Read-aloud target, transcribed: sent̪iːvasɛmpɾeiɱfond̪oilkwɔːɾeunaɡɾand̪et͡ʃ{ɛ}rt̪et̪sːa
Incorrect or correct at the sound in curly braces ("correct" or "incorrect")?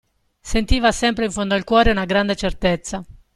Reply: incorrect